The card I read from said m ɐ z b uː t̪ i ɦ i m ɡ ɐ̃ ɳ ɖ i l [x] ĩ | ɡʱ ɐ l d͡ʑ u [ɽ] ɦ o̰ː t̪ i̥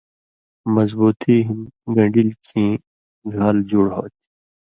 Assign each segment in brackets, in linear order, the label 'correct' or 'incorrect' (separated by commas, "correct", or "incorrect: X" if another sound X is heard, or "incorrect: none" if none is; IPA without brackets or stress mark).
incorrect: k, correct